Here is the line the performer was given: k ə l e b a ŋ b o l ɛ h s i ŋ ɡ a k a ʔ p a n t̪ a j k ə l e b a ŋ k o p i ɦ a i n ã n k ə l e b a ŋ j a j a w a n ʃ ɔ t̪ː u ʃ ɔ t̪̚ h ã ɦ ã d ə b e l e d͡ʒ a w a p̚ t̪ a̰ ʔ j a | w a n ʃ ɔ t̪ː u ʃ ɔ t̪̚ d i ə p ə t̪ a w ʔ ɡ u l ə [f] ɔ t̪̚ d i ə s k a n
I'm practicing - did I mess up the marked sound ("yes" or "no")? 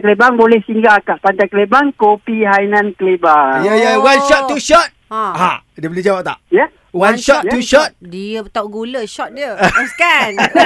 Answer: yes